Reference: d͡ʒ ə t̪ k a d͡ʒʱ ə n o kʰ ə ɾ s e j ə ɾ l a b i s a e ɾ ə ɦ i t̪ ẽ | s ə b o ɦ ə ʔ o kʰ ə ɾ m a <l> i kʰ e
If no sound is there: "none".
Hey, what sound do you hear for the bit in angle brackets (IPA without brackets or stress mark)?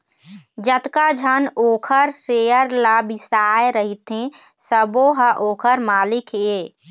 l